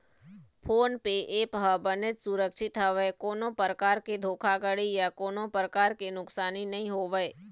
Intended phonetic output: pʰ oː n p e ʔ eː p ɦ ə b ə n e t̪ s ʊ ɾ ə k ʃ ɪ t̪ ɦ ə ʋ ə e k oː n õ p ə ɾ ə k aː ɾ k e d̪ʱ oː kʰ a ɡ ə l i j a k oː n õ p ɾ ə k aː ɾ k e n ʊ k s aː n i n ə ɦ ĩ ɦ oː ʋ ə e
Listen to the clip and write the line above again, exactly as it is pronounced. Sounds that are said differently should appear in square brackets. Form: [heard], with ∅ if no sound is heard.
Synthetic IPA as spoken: pʰ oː n p e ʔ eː p ɦ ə b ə n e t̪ s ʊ ɾ ə k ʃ ɪ t̪ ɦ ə ʋ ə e k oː n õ p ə ɾ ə k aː ɾ k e d̪ʱ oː kʰ a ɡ ə [ɽ] i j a k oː n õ p ɾ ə k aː ɾ k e n ʊ k s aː n i n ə ɦ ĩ ɦ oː ʋ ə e